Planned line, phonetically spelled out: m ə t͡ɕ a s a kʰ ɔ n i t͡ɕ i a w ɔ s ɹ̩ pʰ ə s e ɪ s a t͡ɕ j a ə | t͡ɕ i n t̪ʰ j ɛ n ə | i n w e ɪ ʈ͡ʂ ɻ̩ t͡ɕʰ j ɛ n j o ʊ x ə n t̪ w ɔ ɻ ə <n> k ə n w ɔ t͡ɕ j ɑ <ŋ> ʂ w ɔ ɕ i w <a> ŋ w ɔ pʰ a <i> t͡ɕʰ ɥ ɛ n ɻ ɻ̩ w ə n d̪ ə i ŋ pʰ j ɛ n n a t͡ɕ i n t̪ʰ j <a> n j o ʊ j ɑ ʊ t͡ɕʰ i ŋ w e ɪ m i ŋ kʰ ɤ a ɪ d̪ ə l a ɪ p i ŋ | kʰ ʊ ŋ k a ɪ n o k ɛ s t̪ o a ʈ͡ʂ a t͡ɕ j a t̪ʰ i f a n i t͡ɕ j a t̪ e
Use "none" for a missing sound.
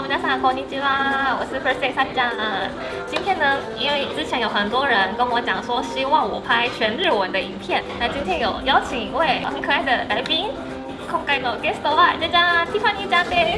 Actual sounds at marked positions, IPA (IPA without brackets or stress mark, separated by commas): n, ŋ, ɑ, ɪ, ɛ